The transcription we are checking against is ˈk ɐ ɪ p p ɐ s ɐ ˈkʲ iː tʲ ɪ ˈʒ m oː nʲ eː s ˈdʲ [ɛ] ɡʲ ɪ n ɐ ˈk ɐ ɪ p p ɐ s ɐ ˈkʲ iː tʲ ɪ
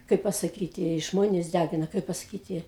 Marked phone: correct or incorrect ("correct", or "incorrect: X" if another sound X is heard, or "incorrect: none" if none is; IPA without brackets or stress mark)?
incorrect: æ